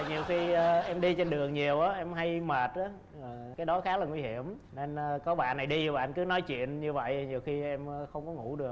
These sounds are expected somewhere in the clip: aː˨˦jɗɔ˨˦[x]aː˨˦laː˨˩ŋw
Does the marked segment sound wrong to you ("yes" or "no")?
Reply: no